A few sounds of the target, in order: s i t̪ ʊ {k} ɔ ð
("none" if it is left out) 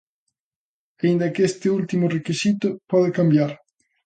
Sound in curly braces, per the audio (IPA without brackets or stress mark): p